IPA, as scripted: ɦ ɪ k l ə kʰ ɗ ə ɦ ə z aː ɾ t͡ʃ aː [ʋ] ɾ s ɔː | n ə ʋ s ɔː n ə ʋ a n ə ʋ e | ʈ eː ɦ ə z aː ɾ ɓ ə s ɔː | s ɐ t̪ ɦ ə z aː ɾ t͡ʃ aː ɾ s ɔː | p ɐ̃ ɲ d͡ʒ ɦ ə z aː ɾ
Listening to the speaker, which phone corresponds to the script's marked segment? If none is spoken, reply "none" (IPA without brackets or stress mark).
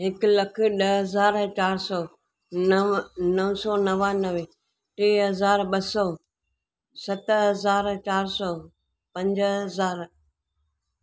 none